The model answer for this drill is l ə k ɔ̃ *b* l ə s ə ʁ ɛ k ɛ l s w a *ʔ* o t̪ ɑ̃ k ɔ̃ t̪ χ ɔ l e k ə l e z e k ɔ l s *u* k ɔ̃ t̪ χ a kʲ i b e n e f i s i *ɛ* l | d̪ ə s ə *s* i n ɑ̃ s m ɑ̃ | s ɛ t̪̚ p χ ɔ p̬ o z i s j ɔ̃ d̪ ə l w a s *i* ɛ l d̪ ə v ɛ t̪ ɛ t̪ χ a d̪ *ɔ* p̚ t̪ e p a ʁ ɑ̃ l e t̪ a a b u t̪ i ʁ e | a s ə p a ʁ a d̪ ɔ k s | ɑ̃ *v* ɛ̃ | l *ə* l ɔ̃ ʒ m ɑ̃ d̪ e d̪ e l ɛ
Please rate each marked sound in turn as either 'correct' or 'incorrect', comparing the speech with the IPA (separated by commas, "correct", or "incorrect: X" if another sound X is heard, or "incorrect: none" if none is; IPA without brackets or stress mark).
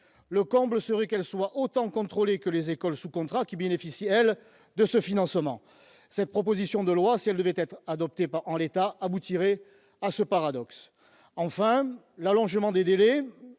correct, correct, correct, correct, incorrect: f, correct, correct, incorrect: f, incorrect: a